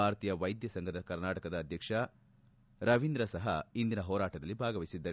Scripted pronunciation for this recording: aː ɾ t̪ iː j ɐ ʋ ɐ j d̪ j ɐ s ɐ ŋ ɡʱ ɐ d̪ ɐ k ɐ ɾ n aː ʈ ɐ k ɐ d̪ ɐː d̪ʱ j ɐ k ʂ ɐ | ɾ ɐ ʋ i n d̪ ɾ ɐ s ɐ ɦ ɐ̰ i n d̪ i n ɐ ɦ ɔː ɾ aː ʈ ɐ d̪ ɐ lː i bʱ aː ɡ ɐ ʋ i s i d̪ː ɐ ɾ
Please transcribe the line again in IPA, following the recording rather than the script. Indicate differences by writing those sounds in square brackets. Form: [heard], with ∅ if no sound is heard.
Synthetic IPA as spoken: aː ɾ t̪ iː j ɐ ʋ ɐ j d̪ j ɐ s ɐ ŋ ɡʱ ɐ d̪ ɐ k ɐ ɾ n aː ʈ ɐ k ɐ d̪ ɐː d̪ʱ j ɐ k ʂ ɐ | ɾ ɐ ʋ i n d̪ ɾ ɐ s ɐ ɦ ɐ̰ i n d̪ i n ɐ ɦ ɔː ɾ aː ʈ ɐ d̪ ɐ lː i bʱ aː ɡ ɐ ʋ i s i d̪ː ɐ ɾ